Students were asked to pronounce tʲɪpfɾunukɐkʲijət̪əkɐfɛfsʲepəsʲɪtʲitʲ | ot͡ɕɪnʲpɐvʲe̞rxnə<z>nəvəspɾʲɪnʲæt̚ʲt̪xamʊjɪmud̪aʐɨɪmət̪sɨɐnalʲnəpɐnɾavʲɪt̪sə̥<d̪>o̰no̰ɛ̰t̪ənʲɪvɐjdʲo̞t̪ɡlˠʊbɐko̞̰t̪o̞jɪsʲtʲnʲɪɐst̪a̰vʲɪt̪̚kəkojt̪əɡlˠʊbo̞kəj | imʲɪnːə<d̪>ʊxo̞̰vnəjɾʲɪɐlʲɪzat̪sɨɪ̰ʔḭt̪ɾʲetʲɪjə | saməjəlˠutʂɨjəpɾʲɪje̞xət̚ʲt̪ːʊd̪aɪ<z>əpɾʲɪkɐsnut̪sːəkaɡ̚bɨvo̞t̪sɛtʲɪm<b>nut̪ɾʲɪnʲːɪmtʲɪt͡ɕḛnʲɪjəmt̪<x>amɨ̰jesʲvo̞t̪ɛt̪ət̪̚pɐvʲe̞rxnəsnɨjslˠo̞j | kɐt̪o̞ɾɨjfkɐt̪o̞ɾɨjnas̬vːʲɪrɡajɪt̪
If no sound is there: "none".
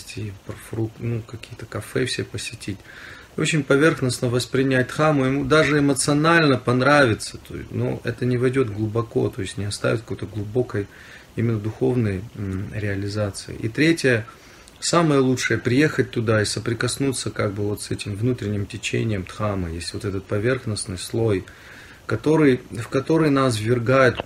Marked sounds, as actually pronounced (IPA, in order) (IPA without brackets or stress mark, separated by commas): s, t̪, d̪, s, v, x